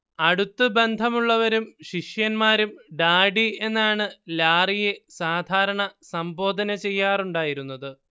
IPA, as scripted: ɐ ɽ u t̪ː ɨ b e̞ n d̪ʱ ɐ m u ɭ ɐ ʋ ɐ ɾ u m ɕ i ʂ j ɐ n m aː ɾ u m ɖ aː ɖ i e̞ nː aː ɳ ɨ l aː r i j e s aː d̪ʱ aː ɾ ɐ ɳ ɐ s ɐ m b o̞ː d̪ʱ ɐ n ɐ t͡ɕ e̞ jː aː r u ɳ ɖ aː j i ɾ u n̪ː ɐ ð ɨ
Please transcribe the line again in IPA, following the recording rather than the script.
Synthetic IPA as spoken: ɐ ɽ u t̪ː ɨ b e̞ n d̪ʱ ɐ m u ɭː ɐ ʋ ɐ ɾ u m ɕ i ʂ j ɐ n m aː ɾ u m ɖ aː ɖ i e̞ nː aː ɳ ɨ l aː r i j e s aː d̪ʱ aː ɾ ɐ ɳ ɐ s ɐ m b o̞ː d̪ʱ ɐ n ɐ t͡ɕ e̞ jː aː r u ɳ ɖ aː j i ɾ u n̪ː ɐ ð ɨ